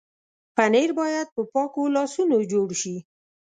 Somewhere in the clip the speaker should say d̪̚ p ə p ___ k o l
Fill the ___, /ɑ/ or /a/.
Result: ɑ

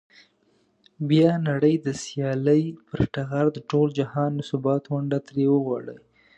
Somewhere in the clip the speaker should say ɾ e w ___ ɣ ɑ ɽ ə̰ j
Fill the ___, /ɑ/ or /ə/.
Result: ə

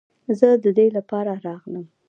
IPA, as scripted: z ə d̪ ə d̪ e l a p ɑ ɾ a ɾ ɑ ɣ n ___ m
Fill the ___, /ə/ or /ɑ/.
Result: ə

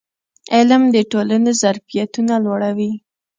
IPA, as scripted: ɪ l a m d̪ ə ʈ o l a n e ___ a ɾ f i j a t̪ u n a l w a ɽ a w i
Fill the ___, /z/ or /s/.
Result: z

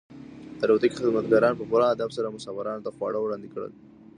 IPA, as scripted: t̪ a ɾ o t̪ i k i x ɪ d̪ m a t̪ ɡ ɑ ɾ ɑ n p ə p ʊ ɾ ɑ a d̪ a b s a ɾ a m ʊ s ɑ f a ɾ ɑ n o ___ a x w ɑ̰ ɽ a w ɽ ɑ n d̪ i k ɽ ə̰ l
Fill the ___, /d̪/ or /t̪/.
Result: t̪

